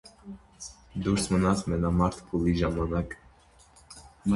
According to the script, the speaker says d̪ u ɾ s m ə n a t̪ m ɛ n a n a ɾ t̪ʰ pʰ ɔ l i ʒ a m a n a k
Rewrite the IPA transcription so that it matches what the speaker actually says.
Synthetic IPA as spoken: d̪ u ɾ s m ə n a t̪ m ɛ n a m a ɾ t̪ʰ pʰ u l i ʒ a m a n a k